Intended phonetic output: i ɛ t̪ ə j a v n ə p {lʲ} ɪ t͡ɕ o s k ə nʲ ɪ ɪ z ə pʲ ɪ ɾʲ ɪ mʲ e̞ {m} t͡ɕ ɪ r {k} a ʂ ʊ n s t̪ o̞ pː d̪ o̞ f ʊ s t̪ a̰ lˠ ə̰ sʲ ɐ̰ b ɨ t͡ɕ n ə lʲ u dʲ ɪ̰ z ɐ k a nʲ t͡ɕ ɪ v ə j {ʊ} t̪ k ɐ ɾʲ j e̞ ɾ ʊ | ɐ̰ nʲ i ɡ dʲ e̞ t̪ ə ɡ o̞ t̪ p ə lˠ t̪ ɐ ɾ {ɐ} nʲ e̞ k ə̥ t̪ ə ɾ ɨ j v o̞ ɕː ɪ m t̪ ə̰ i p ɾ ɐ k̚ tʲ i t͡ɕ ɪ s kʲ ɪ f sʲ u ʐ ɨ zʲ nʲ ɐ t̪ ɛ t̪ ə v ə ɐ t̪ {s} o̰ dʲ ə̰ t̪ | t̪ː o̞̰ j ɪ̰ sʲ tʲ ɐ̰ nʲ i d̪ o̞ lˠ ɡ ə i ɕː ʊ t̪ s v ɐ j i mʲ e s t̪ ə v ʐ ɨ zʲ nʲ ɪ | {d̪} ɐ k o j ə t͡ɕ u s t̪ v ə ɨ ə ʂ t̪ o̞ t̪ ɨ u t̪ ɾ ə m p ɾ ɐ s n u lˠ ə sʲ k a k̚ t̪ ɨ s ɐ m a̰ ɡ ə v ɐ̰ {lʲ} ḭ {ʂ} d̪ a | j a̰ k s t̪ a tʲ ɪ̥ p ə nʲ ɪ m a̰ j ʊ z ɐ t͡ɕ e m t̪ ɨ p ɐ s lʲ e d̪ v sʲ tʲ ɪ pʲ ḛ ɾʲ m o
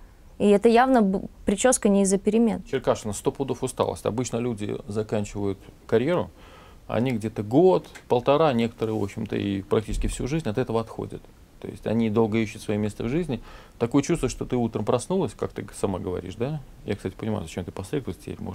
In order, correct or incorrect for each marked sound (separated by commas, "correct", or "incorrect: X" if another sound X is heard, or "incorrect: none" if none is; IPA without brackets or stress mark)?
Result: incorrect: ɾʲ, incorrect: n, correct, correct, incorrect: a, incorrect: x, incorrect: t̪, incorrect: ɾʲ, correct